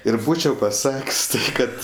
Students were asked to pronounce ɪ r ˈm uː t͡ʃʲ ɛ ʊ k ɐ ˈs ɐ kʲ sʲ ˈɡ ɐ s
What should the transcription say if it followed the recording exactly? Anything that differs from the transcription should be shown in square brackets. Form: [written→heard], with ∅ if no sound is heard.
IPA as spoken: ɪ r [ˈm→ˈb] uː t͡ʃʲ ɛ ʊ [k→p] ɐ ˈs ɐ kʲ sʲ [ˈɡ→ˈk] ɐ [s→t]